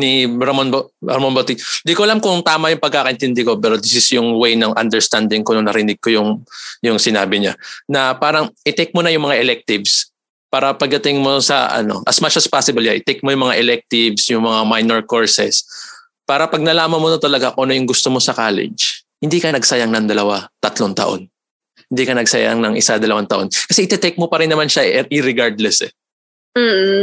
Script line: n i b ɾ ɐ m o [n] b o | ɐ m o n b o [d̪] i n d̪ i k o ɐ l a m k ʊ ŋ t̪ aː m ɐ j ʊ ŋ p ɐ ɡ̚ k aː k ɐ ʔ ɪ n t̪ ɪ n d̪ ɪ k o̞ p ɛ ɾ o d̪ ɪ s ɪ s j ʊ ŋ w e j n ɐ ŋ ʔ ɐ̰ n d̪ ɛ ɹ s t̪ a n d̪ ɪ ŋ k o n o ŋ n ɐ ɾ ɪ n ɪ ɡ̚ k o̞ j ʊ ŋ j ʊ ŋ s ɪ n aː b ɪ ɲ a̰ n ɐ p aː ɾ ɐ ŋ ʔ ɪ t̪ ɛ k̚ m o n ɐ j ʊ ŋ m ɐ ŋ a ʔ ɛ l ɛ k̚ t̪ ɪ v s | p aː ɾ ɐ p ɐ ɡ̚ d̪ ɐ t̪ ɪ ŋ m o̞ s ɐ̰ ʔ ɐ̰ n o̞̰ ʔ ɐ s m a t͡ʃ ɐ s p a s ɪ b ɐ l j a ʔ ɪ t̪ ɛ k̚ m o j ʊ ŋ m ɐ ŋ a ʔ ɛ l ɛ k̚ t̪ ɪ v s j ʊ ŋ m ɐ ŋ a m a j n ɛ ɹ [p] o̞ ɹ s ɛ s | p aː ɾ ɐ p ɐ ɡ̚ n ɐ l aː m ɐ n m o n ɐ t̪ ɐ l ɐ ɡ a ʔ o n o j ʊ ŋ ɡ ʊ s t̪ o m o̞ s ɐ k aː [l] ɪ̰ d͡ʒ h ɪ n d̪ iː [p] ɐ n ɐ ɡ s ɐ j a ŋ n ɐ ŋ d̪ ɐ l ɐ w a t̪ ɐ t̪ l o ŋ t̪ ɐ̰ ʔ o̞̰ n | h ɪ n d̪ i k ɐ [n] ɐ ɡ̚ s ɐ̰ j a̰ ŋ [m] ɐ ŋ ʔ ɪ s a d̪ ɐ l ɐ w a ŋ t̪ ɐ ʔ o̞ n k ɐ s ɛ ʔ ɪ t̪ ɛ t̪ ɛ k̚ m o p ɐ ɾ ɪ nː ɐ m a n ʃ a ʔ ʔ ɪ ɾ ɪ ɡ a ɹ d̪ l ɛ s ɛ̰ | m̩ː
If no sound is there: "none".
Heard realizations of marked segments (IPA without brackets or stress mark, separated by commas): n, t̪, k, l, k, n, n